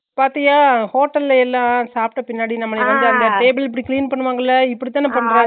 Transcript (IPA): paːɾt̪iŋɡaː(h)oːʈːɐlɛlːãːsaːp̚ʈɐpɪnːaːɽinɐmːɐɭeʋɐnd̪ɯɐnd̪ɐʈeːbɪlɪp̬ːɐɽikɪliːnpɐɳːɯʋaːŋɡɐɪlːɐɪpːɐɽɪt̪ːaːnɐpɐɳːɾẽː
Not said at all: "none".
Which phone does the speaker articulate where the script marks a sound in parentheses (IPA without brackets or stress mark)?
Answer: h